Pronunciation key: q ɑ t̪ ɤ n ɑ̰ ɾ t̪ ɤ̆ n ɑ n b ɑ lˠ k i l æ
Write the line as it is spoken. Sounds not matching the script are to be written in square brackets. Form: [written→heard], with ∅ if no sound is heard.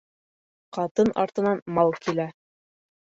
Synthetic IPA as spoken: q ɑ t̪ ɤ n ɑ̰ ɾ t̪ ɤ̆ n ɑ n [b→m] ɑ lˠ k i l æ